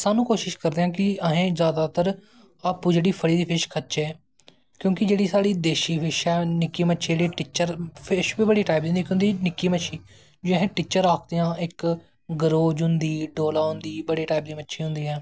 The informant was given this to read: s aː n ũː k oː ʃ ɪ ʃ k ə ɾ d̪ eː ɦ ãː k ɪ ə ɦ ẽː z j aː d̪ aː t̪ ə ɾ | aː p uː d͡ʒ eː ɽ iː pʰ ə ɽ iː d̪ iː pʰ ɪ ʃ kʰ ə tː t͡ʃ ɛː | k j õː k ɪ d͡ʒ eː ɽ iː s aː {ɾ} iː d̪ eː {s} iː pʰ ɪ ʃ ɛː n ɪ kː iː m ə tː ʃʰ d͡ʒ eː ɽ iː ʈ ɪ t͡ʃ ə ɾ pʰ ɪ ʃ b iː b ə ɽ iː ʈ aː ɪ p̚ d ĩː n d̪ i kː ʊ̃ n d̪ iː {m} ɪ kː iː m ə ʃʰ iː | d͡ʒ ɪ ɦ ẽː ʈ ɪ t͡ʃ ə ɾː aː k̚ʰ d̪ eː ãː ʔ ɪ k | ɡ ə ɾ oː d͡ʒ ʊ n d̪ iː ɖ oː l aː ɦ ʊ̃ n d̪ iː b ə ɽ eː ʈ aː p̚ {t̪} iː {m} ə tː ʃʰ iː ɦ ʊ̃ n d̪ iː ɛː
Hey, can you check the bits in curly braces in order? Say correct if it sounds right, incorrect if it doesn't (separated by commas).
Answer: incorrect, incorrect, incorrect, incorrect, correct